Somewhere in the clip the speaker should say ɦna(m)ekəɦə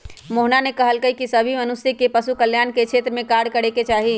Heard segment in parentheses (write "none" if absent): n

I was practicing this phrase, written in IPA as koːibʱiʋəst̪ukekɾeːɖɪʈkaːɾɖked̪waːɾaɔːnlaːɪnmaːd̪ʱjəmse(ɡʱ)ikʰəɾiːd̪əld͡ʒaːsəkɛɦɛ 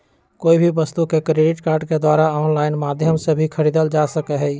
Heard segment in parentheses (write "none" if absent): bʱ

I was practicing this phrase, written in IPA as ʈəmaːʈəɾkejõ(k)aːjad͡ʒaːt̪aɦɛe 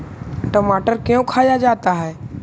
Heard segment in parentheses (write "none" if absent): kʰ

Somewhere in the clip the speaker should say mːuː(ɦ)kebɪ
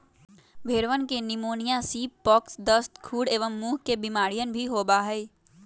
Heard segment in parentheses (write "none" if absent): ɦ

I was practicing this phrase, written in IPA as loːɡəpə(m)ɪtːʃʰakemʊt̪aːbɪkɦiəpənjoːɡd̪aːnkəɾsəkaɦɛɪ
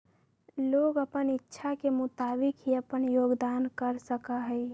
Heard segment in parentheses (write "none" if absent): n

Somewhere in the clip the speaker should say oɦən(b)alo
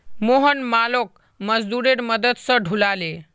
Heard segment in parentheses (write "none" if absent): m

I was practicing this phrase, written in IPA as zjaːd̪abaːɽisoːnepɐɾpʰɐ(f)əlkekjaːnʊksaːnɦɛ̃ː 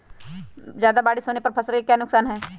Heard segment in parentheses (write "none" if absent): s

